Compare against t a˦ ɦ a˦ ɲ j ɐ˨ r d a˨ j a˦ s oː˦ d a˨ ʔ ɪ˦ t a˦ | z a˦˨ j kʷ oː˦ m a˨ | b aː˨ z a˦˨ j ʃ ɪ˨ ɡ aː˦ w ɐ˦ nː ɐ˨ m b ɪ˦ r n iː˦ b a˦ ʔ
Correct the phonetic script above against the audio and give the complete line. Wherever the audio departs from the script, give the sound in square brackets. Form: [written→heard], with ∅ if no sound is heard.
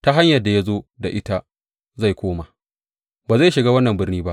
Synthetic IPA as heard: t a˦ ɦ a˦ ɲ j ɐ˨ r d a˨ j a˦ [s→z] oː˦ d a˨ ʔ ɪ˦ t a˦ | z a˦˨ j kʷ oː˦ m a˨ | b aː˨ z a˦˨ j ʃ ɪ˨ ɡ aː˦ w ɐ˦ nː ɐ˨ m b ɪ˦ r n iː˦ b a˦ ʔ